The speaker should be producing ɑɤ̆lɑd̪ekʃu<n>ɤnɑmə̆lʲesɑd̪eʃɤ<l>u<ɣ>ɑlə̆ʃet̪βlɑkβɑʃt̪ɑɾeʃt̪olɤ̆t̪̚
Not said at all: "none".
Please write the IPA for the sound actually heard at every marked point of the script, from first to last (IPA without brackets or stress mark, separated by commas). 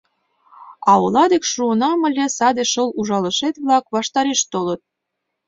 none, l, ʒ